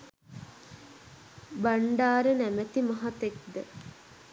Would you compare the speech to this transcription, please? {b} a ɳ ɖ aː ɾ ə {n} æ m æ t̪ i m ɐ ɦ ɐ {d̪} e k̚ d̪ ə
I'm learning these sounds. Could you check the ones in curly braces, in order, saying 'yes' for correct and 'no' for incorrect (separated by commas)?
yes, yes, no